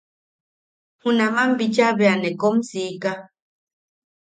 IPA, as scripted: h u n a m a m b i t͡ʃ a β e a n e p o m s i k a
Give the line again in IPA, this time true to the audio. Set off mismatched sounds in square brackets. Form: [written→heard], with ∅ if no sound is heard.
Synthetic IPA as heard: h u n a m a m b i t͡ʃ a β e a n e [p→k] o m s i k a